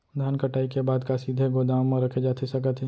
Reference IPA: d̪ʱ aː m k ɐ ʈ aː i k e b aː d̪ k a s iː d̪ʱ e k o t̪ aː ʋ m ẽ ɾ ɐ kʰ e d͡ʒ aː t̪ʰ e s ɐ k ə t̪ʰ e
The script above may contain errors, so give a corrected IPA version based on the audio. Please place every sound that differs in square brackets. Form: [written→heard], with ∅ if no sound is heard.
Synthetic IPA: d̪ʱ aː [m→n] k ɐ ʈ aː i k e b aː d̪ k a s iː d̪ʱ e [k→ɡ] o [t̪→d̪] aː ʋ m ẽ ɾ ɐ kʰ e d͡ʒ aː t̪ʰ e s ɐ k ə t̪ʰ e